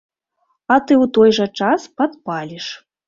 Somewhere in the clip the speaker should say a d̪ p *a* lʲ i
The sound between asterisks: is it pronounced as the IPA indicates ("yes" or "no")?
yes